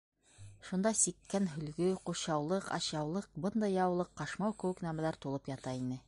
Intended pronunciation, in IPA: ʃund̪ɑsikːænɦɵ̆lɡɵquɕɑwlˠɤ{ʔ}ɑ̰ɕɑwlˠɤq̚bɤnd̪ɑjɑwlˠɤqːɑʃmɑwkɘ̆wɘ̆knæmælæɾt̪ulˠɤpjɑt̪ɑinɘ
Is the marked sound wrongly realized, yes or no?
yes